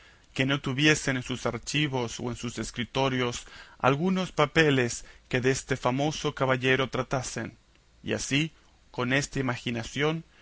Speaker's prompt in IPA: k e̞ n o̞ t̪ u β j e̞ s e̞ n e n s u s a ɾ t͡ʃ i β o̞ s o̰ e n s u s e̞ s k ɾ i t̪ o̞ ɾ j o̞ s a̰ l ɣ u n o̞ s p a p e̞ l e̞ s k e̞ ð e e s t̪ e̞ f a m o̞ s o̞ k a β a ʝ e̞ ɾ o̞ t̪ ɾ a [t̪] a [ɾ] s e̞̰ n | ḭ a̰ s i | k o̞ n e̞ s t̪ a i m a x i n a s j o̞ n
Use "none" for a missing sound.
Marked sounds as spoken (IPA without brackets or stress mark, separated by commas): t̪, none